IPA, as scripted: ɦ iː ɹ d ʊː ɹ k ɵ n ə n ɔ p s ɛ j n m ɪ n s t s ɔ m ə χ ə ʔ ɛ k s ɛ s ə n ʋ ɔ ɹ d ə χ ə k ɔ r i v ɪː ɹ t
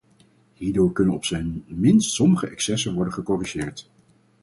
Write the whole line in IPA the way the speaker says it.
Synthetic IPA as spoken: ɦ iː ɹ d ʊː ɹ k ɵ n ə n ɔ p s ɛ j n m ɪ n s t s ɔ m ə χ ə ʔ ɛ k s ɛ s ə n ʋ ɔ ɹ d ə χ ə k ɔ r i ʒ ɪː ɹ t